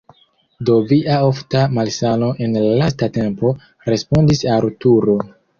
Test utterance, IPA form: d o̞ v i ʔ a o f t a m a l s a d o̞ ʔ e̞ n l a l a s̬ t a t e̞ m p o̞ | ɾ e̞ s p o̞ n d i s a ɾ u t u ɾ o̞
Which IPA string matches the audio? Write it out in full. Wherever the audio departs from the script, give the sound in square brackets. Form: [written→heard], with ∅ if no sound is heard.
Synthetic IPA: d o̞ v i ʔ a o f t a m a l s a [d→n] o̞ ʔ e̞ n l a l a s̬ t a t e̞ m p o̞ | ɾ e̞ s p o̞ n d i s a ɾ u t u ɾ o̞